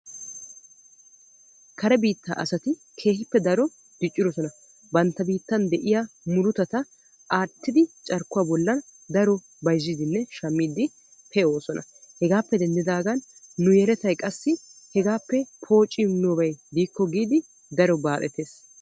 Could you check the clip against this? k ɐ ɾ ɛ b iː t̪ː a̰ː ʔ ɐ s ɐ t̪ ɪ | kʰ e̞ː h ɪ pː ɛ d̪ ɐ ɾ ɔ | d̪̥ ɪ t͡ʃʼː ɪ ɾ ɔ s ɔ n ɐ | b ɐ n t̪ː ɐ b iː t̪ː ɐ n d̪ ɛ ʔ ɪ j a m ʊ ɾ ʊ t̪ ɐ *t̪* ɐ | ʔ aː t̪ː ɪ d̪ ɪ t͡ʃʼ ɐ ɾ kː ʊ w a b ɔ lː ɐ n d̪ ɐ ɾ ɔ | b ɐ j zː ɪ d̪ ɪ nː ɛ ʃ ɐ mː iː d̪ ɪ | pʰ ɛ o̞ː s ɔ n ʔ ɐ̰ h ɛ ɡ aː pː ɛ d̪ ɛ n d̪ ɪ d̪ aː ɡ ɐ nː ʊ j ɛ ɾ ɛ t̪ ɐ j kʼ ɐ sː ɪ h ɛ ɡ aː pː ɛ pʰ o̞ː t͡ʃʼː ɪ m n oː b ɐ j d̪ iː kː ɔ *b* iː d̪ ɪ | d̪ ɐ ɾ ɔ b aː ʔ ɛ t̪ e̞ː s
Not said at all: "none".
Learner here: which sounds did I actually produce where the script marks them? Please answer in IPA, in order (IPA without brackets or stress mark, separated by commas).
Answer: t̪, ɡ